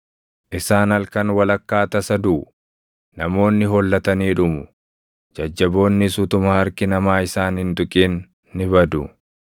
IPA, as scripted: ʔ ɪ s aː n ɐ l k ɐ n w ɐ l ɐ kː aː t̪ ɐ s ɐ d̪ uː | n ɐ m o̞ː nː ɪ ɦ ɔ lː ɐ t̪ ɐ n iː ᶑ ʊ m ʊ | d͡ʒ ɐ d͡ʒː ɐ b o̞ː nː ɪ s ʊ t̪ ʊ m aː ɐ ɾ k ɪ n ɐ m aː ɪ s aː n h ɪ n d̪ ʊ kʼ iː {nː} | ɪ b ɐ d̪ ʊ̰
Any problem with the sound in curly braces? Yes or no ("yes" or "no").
no